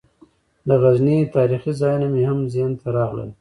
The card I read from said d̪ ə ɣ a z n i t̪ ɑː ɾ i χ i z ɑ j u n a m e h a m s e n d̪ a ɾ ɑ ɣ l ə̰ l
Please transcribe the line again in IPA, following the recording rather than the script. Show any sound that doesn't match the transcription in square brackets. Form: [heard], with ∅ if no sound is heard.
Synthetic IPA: d̪ ə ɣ a z n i t̪ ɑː ɾ i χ i z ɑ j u n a m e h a m [z] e n [t̪] a ɾ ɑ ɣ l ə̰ l